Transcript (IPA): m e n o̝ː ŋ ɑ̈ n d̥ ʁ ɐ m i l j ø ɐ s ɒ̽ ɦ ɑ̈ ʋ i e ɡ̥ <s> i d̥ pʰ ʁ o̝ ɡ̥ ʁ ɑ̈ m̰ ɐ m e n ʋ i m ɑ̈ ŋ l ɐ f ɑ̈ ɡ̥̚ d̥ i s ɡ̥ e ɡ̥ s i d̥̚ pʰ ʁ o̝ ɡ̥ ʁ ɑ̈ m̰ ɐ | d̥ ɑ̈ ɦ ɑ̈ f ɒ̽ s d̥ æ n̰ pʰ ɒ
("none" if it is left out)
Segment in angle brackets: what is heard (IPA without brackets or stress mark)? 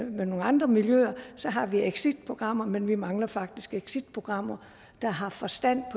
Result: s